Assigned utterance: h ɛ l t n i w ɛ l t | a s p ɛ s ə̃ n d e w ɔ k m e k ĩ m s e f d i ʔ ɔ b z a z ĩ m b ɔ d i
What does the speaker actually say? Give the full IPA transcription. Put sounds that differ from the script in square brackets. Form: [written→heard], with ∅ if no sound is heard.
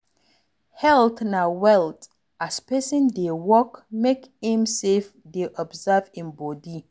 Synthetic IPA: h ɛ l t n [i→a] w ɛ l t | a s p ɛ s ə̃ n d e w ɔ k m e k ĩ m s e f d [i→e] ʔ ɔ b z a [z→v] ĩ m b ɔ d i

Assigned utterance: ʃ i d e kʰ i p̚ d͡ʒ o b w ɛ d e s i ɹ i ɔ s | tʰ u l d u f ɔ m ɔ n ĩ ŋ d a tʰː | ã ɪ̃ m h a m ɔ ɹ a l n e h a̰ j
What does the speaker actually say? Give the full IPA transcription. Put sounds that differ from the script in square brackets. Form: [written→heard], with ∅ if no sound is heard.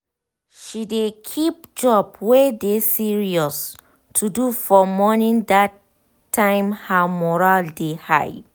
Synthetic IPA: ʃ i d e kʰ i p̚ d͡ʒ [o→ɔ] b w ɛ d e s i ɹ i ɔ s | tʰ u [l→∅] d u f ɔ m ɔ n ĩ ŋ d a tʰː | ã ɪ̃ m h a m ɔ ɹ a l [n→d] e h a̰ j

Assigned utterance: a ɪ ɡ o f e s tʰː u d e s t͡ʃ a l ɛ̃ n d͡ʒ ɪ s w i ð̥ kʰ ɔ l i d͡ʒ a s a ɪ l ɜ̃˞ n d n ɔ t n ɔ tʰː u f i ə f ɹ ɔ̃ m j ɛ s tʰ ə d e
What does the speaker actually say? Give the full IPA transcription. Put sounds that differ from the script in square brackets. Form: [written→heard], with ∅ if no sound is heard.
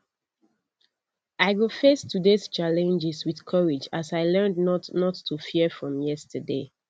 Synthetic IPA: a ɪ ɡ o f e s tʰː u d e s t͡ʃ a l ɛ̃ n d͡ʒ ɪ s w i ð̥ kʰ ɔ [l→ɹ] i d͡ʒ a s a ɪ l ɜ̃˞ n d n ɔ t n ɔ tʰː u f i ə f ɹ ɔ̃ m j ɛ s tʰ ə d e

